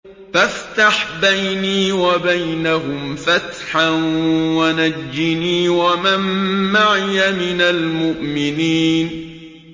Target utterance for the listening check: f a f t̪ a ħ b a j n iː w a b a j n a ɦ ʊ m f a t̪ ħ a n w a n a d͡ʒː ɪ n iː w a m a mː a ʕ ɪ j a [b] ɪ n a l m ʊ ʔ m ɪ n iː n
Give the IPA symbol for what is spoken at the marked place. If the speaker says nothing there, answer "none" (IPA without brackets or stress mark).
m